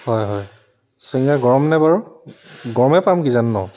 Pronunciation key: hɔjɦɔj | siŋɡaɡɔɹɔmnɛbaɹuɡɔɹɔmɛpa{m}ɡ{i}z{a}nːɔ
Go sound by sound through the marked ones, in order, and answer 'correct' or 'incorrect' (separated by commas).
correct, correct, correct